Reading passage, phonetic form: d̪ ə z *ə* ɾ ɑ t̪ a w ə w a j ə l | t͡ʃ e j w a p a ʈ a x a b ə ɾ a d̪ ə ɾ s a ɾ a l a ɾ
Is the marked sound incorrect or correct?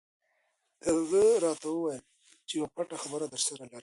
correct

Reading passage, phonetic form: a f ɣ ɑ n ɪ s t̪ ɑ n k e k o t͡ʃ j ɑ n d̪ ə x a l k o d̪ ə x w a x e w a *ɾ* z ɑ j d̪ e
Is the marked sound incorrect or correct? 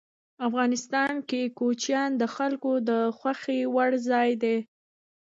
incorrect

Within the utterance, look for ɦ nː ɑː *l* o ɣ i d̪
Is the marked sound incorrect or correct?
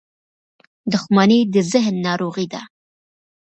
incorrect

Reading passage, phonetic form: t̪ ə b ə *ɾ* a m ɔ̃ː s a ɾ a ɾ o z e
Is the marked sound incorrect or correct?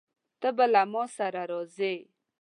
incorrect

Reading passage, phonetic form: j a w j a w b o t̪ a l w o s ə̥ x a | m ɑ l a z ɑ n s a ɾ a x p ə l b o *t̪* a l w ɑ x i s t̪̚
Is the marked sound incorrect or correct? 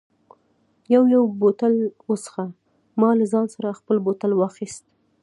correct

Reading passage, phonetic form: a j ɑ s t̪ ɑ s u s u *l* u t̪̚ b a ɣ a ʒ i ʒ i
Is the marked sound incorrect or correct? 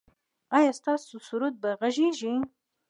incorrect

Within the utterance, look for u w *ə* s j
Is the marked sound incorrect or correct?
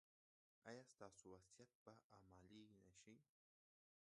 incorrect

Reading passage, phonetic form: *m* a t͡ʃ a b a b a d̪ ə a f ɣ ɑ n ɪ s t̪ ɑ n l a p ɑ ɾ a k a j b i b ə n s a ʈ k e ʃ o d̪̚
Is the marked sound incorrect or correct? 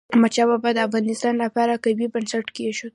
correct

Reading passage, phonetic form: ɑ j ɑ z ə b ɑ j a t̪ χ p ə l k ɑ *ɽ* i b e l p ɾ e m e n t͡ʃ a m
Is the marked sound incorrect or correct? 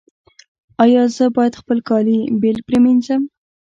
incorrect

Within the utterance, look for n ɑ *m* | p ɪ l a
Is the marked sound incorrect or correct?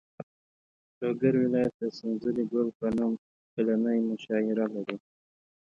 correct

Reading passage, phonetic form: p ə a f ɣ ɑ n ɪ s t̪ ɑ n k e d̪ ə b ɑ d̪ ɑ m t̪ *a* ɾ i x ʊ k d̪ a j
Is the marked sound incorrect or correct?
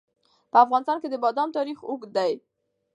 incorrect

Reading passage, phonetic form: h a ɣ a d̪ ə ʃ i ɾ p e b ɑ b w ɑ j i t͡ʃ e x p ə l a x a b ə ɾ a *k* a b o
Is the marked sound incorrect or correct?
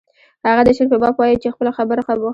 incorrect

